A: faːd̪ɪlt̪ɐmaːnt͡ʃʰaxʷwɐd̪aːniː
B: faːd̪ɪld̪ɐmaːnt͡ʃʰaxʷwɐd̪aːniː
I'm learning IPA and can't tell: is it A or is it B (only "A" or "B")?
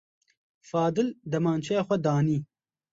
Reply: B